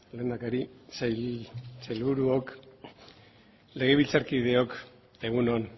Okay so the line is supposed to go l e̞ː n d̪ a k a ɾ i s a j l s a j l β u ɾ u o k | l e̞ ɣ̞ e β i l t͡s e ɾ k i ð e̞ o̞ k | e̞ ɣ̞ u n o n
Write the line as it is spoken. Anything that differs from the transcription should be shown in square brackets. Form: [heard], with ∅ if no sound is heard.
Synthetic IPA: l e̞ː n d̪ a k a ɾ i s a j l s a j l β u ɾ u o k | l e̞ ɣ̞ e β i l t͡s [a] ɾ k i ð e̞ o̞ k | e̞ ɣ̞ u n o n